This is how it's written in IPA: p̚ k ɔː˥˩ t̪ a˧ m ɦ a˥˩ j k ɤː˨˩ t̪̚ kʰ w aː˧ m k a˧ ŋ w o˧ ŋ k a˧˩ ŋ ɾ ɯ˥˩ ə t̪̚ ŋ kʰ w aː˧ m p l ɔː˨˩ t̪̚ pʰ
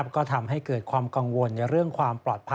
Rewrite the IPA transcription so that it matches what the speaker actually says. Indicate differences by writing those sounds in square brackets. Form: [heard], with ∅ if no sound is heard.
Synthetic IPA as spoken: p̚ k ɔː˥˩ [t̪ʰ] a˧ m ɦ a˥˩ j k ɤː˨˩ t̪̚ kʰ w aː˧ m k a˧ ŋ w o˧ [n] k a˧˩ [∅] ɾ ɯ˥˩ ə [∅] ŋ kʰ w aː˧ m p l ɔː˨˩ t̪̚ pʰ